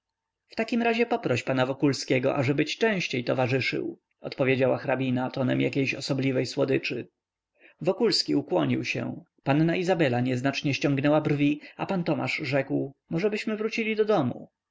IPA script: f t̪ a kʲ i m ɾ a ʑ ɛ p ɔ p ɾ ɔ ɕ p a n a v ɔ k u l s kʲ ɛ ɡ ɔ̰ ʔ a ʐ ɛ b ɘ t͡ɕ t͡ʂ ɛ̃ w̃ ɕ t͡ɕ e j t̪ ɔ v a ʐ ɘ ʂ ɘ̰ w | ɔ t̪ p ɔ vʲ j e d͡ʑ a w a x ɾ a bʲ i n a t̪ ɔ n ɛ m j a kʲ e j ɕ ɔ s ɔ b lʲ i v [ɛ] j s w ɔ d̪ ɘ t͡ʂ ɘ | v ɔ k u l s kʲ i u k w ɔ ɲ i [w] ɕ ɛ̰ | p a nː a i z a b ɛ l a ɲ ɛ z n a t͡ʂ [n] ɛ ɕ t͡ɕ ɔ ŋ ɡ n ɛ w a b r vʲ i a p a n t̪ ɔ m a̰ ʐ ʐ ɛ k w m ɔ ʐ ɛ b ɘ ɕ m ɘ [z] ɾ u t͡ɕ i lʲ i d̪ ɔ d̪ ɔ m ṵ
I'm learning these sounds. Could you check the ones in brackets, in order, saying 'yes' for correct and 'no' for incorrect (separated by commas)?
yes, yes, no, no